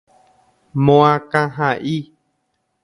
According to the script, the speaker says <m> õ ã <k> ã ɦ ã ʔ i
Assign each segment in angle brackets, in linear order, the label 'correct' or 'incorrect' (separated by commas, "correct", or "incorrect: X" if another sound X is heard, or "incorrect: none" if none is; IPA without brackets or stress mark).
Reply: correct, correct